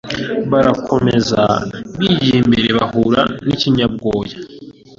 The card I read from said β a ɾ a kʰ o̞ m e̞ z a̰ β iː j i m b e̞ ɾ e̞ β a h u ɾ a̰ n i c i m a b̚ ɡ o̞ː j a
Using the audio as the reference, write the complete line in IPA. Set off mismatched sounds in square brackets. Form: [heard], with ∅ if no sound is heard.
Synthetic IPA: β a ɾ a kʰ o̞ m e̞ z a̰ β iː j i m b e̞ ɾ e̞ β a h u ɾ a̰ n i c i [ɲ] a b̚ ɡ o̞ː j a